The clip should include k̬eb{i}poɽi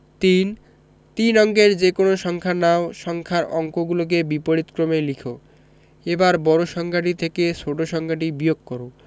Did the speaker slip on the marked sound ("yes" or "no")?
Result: no